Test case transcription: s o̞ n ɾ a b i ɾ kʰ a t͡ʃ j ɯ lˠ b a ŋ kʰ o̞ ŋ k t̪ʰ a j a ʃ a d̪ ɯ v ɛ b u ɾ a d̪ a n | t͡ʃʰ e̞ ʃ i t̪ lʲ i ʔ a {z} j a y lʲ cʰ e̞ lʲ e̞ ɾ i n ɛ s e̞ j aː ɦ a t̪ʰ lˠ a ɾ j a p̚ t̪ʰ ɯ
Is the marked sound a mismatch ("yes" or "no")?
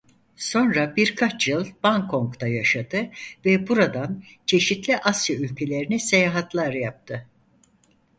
yes